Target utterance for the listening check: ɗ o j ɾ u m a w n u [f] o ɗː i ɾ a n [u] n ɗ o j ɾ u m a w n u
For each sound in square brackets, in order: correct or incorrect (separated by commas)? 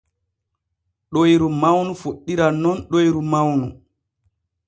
correct, incorrect